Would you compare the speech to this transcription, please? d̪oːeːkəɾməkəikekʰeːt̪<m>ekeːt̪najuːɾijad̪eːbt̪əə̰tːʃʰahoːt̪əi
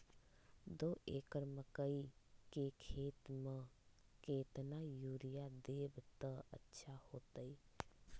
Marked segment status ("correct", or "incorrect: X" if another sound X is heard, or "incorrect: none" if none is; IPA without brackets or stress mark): correct